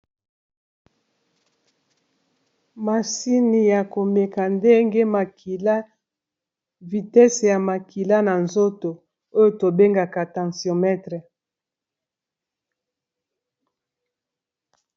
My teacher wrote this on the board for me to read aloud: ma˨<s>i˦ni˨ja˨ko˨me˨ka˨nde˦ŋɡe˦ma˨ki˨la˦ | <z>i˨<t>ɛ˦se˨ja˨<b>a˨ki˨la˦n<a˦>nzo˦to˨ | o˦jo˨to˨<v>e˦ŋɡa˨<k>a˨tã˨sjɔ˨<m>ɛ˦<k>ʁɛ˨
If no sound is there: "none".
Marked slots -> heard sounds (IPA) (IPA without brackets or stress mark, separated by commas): s, v, t, m, a˨, b, k, m, t